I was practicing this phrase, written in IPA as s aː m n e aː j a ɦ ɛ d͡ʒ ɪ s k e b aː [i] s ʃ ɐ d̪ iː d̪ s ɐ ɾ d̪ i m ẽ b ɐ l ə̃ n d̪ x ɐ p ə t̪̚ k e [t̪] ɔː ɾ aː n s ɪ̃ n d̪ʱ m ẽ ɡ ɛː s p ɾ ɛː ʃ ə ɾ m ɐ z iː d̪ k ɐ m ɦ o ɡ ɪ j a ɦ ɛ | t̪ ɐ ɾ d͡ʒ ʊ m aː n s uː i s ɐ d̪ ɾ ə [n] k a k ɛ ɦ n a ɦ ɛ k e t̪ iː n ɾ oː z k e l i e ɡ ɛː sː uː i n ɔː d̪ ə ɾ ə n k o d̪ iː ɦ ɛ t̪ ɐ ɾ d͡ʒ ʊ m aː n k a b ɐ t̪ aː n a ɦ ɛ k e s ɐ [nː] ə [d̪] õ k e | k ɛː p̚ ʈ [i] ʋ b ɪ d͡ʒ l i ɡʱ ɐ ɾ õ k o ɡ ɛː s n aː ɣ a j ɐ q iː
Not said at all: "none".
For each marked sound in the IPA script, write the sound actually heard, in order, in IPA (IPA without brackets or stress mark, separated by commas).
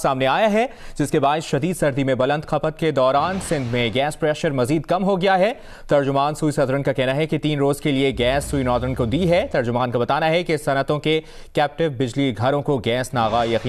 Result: ɪ, d̪, n, n, t̪, ɪ